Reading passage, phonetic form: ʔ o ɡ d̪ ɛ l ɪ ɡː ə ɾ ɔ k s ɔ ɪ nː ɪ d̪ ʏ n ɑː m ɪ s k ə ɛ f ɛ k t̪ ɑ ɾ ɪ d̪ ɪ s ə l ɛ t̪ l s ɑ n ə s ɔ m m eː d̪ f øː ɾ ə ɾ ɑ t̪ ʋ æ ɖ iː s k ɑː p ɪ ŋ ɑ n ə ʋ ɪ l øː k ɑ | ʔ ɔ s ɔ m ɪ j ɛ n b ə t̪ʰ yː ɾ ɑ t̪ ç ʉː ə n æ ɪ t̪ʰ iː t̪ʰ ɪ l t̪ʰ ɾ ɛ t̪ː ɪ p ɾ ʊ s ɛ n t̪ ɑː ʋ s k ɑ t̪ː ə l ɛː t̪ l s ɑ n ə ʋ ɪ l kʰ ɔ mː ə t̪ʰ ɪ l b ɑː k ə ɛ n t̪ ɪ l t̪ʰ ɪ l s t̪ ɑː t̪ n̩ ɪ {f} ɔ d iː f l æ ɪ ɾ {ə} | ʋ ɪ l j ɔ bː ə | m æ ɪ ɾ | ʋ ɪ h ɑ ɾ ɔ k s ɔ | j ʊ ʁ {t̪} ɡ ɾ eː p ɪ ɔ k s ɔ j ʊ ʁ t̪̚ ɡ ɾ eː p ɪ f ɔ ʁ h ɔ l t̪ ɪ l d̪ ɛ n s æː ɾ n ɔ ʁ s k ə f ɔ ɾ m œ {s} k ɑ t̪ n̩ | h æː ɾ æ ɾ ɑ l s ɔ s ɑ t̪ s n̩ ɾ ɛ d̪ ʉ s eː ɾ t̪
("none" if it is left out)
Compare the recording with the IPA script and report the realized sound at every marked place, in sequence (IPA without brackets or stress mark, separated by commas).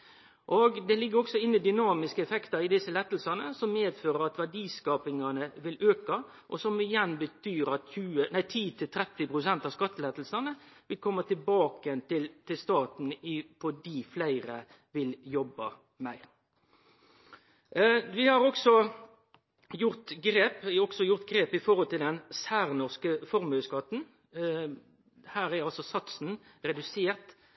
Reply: f, ə, t̪, s